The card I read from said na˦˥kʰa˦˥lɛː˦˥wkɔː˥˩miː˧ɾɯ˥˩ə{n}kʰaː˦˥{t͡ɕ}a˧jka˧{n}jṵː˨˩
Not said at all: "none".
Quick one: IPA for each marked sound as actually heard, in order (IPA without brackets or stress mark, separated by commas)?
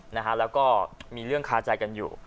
ŋ, t͡ɕ, n